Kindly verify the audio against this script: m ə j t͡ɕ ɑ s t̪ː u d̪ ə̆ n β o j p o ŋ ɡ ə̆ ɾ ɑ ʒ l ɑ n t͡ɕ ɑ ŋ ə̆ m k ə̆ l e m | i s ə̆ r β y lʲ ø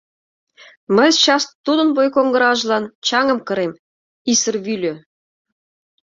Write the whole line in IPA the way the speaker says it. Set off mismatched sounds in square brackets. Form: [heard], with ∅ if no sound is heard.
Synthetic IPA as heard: m ə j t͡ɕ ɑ s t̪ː u d̪ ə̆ n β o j [k] o ŋ ɡ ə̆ ɾ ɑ ʒ l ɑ n t͡ɕ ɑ ŋ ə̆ m k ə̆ [ɾ] e m | i s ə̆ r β y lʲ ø